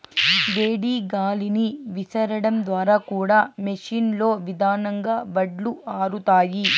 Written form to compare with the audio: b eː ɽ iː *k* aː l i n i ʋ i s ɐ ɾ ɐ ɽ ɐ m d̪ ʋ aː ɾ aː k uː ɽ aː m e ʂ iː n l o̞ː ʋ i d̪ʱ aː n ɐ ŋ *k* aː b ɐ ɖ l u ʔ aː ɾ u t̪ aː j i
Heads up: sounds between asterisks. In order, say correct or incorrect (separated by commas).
incorrect, incorrect